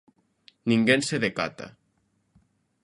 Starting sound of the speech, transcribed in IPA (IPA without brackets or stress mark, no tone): n